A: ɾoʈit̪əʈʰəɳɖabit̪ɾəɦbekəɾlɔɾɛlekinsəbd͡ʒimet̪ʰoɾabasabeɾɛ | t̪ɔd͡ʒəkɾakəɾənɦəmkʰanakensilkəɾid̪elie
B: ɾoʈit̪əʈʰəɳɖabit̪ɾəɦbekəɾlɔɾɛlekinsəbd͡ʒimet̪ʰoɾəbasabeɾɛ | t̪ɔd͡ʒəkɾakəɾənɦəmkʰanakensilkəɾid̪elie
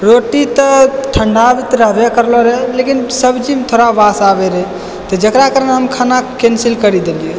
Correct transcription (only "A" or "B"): A